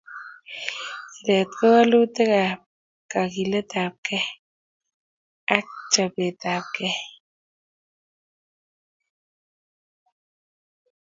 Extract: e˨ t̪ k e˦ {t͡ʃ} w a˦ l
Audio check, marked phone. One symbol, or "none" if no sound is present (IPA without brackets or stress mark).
none